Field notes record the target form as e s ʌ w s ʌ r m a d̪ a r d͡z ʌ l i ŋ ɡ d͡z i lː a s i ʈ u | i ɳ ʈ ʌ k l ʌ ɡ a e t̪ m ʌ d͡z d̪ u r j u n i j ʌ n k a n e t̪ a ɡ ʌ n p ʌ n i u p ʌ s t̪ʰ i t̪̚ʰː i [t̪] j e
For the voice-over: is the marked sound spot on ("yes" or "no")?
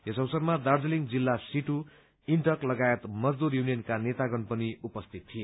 no